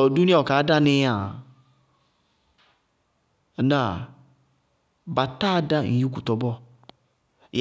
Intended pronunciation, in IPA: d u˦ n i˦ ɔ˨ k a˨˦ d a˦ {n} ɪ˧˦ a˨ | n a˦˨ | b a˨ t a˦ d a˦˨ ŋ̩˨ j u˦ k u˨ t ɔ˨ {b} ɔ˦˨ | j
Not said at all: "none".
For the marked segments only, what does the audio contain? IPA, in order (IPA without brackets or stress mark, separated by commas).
n, b